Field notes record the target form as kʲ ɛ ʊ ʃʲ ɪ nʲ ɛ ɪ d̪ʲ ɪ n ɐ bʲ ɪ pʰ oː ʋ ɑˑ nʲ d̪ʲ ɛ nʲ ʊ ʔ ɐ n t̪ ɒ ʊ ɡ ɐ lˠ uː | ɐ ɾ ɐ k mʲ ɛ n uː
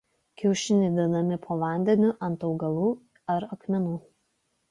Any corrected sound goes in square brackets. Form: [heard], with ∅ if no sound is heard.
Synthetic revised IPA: kʲ ɛ ʊ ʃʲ ɪ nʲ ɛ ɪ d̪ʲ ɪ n ɐ [mʲ] ɪ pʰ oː ʋ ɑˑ nʲ d̪ʲ ɛ nʲ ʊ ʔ ɐ n t̪ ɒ ʊ ɡ ɐ lˠ uː | ɐ ɾ ɐ k mʲ ɛ n uː